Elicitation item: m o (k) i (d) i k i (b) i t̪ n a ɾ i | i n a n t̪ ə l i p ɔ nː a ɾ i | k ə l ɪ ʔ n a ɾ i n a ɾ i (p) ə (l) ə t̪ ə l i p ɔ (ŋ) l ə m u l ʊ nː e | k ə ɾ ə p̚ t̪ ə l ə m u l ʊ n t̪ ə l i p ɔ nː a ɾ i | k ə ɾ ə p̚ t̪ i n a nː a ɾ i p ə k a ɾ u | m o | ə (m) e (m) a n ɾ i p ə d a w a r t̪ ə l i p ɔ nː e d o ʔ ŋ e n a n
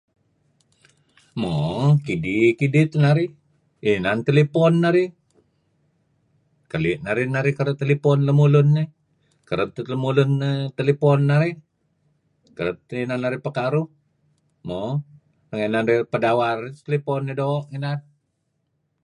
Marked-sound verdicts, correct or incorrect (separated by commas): correct, correct, incorrect, incorrect, incorrect, incorrect, incorrect, incorrect